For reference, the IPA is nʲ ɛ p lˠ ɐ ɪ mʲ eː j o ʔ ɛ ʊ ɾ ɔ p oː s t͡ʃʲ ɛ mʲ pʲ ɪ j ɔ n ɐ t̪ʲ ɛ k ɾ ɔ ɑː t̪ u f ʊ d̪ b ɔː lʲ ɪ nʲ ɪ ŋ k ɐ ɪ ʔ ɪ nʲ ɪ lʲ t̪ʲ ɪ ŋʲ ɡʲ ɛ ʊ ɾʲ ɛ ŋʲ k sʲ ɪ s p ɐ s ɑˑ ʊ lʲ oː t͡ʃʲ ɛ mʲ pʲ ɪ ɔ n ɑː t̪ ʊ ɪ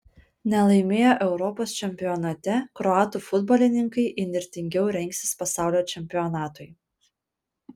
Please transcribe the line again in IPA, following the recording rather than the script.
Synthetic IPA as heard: nʲ ɛ lˠ ɐ ɪ mʲ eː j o ʔ ɛ ʊ ɾ ɔ p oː s t͡ʃʲ ɛ mʲ pʲ ɪ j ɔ n ɐ t̪ʲ ɛ k ɾ ɔ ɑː t̪ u f ʊ d̪ b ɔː lʲ ɪ nʲ ɪ ŋ k ɐ ɪ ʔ ɪ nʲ ɪ ɾʲ t̪ʲ ɪ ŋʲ ɡʲ ɛ ʊ ɾʲ ɛ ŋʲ k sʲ ɪ s p ɐ s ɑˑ ʊ lʲ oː t͡ʃʲ ɛ mʲ pʲ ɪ ɔ n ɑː t̪ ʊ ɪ

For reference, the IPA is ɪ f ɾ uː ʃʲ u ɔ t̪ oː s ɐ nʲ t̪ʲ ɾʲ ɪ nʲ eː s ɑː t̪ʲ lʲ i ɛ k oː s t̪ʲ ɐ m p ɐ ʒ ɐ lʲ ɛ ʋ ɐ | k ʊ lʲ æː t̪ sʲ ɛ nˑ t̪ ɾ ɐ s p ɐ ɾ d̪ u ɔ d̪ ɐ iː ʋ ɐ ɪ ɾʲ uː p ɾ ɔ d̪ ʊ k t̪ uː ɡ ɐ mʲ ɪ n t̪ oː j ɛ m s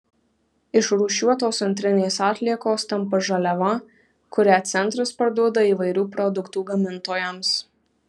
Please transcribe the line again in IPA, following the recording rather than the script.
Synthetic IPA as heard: ɪ ʃ ɾ uː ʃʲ u ɔ t̪ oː s ɐ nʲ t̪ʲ ɾʲ ɪ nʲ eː s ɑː t̪ʲ lʲ i ɛ k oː s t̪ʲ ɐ m p ɐ ʒ ɐ lʲ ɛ ʋ ɐ | k ʊ ɾʲ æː t̪ sʲ ɛ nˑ t̪ ɾ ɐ s p ɐ ɾ d̪ u ɔ d̪ ɐ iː ʋ ɐ ɪ ɾʲ uː p ɾ ɔ d̪ ʊ k t̪ uː ɡ ɐ mʲ ɪ n t̪ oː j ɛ m s

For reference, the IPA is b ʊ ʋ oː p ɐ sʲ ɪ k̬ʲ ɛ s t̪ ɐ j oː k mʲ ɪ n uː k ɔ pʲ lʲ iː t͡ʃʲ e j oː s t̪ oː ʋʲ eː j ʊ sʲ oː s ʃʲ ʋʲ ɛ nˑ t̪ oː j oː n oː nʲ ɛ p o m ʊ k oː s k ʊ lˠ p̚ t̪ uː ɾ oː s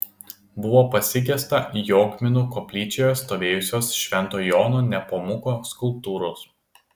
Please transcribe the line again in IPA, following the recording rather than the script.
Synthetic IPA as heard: b ʊ ʋ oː p ɐ sʲ ɪ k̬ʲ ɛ s t̪ ɐ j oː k mʲ ɪ n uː k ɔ pʲ lʲ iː t͡ʃʲ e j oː s t̪ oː ʋʲ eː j ʊ sʲ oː s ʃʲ ʋʲ ɛ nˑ t̪ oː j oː n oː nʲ ɛ p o m ʊ k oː s k ʊ lˠ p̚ t̪ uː ɾ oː s

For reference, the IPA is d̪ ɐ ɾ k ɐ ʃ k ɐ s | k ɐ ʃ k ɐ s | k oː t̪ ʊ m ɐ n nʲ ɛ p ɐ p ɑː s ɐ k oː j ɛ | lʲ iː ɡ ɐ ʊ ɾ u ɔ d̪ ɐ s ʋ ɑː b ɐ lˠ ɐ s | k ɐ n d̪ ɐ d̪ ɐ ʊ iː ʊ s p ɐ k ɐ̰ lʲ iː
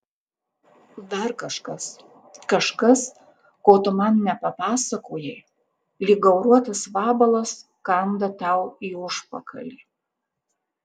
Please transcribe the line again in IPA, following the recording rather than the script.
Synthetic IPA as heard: d̪ ɐ ɾ k ɐ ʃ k ɐ s | k ɐ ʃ k ɐ s | k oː t̪ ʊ m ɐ n nʲ ɛ p ɐ p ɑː s ɐ k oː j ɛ | lʲ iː ɡ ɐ ʊ ɾ u ɔ t̪ ɐ s ʋ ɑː b ɐ lˠ ɐ s | k ɐ n d̪ ɐ t̪ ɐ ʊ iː ʊ ʃ p ɐ k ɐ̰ lʲ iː

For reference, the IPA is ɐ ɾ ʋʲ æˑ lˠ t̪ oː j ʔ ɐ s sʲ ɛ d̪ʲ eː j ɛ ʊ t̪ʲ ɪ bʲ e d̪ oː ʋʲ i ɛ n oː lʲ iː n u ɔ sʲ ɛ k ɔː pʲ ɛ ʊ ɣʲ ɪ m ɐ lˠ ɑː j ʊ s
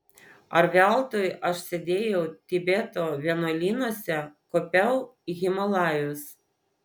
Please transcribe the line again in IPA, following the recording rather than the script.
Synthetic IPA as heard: ɐ ɾ ʋʲ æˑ lˠ t̪ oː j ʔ ɐ ʃ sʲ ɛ d̪ʲ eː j ɛ ʊ t̪ʲ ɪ bʲ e t̪ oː ʋʲ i ɛ n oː lʲ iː n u ɔ sʲ ɛ k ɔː pʲ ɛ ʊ ɣʲ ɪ m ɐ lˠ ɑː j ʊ s

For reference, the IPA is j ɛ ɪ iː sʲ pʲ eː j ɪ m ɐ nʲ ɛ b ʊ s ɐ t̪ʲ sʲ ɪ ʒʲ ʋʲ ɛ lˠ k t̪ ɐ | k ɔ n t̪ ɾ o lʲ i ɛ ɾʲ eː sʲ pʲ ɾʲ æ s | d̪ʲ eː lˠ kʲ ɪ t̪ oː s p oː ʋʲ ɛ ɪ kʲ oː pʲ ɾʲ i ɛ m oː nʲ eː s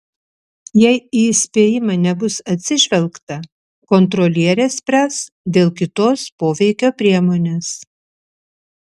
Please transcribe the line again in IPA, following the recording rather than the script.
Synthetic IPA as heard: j ɛ ɪ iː sʲ pʲ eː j ɪ m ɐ nʲ ɛ b ʊ s ɐ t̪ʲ sʲ ɪ ʒʲ ʋʲ ɛ lˠ k t̪ ɐ | k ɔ n t̪ ɾ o lʲ i ɛ ɾʲ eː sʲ pʲ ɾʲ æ s | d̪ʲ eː lˠ kʲ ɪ t̪ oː s p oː ʋʲ ɛ ɪ kʲ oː pʲ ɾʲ i ɛ m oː nʲ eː s

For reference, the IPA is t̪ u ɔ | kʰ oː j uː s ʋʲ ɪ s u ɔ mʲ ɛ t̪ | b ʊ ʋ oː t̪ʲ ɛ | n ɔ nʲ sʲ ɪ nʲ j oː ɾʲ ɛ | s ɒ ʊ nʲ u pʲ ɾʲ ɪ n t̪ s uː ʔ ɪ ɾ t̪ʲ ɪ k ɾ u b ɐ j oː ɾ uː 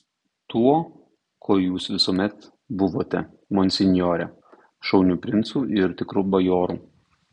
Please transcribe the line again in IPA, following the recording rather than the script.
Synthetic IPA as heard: t̪ u ɔ | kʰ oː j uː s ʋʲ ɪ s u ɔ mʲ ɛ t̪ | b ʊ ʋ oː t̪ʲ ɛ | m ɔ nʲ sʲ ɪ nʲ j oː ɾʲ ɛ | ʃ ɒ ʊ nʲ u pʲ ɾʲ ɪ n t̪ s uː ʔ ɪ ɾ t̪ʲ ɪ k ɾ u b ɐ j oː ɾ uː

